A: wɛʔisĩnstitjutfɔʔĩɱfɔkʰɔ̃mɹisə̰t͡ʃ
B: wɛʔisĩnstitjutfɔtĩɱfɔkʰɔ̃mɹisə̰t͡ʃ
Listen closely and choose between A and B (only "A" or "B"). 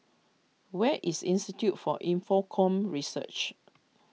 A